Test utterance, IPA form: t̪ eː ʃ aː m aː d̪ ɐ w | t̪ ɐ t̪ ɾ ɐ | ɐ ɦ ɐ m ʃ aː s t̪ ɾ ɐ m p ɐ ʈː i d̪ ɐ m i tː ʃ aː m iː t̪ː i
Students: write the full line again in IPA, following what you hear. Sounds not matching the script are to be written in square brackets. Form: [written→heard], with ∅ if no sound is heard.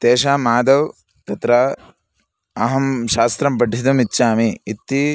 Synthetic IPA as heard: t̪ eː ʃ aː m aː d̪ ɐ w | t̪ ɐ t̪ ɾ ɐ | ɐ ɦ ɐ m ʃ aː s t̪ ɾ ɐ m p ɐ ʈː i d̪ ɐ m i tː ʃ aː m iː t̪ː i